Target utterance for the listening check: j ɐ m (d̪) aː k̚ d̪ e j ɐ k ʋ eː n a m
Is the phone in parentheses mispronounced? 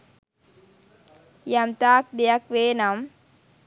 yes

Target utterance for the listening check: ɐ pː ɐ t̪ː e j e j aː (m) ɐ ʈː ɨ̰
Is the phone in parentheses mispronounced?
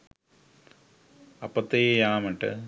no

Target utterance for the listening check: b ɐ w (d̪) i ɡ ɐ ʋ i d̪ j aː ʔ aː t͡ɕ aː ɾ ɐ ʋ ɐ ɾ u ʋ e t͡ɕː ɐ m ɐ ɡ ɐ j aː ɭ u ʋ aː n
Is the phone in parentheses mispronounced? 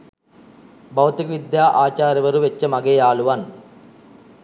yes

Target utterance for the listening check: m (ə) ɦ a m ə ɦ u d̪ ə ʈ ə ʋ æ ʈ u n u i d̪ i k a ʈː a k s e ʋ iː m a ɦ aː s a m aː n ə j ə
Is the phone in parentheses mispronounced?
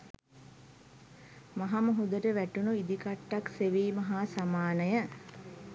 yes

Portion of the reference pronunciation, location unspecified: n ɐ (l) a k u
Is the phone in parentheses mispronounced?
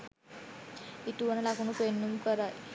no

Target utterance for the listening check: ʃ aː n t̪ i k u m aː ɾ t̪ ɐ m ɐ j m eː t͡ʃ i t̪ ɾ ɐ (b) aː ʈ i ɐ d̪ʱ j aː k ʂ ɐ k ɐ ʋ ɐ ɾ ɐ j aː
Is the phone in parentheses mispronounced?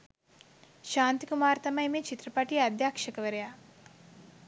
yes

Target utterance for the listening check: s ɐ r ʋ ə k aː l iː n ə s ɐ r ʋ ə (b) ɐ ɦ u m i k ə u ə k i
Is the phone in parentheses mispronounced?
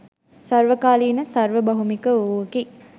no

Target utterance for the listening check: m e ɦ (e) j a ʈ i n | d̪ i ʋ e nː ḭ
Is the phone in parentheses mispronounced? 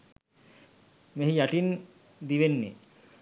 yes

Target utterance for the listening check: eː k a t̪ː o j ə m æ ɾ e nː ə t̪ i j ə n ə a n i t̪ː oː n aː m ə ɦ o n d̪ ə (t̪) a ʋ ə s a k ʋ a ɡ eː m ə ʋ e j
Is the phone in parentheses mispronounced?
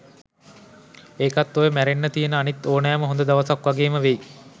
yes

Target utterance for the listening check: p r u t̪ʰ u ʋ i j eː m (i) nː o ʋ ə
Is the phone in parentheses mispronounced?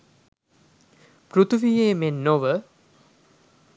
yes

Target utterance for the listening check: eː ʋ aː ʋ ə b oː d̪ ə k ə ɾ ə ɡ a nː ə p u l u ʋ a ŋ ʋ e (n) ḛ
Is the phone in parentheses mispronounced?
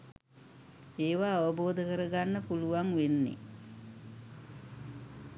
yes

